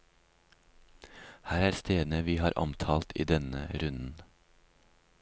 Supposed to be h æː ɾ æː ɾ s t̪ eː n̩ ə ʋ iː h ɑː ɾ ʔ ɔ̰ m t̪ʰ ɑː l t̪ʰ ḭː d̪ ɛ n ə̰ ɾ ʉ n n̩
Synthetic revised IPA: h æː ɾ æː ɾ s t̪ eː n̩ ə ʋ iː h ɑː ɾ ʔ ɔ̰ m t̪ʰ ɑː l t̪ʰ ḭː d̪ ɛ n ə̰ ɾ ʉ n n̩